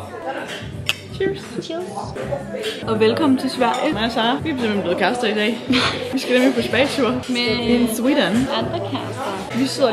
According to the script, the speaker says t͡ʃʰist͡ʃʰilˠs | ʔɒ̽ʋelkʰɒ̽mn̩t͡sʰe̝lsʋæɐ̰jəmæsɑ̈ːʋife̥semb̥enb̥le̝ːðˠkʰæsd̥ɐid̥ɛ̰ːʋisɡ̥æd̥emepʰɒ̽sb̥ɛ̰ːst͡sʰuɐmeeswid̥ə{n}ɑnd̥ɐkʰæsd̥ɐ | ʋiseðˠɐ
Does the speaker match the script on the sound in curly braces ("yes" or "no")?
yes